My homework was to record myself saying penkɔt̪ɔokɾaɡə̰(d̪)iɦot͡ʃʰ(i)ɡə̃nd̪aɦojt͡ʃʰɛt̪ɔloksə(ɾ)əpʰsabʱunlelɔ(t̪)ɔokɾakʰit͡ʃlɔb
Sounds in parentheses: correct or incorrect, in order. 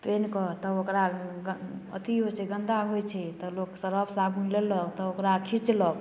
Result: incorrect: t̪, incorrect: ɛ, correct, correct

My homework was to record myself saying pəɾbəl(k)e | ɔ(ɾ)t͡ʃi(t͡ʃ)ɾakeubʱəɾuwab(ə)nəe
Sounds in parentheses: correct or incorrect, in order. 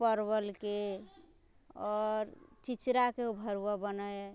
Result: correct, correct, correct, correct

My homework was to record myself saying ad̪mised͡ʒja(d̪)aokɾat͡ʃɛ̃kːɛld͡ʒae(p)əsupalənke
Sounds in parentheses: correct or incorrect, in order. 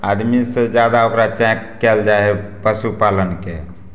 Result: correct, correct

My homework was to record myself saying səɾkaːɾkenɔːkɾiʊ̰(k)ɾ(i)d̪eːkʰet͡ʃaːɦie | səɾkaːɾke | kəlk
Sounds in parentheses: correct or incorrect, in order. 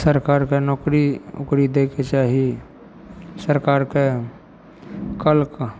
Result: correct, correct

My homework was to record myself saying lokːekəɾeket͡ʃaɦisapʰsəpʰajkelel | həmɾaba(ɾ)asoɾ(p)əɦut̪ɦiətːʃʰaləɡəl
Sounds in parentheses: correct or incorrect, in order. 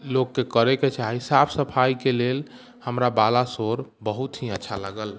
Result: incorrect: l, incorrect: b

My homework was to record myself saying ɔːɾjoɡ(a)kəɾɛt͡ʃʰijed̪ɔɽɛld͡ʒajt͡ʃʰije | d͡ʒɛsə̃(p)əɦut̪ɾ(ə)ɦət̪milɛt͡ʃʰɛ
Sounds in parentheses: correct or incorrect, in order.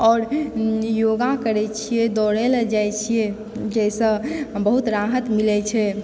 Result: correct, incorrect: b, incorrect: a

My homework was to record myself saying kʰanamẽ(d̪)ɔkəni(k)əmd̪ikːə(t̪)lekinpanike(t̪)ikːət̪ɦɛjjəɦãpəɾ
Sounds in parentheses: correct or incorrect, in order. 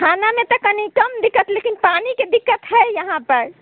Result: incorrect: t̪, correct, correct, incorrect: d̪

